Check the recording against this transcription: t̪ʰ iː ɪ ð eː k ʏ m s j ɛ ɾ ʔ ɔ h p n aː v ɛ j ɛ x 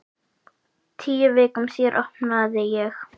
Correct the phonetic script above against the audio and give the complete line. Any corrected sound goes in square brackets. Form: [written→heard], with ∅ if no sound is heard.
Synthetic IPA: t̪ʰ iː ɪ [ð→v] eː k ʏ m s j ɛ ɾ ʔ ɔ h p n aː [v→ð] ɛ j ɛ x